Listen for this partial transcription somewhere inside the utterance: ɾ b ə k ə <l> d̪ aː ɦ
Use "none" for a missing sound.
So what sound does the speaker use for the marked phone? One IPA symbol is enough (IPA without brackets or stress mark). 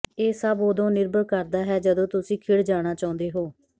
ɾ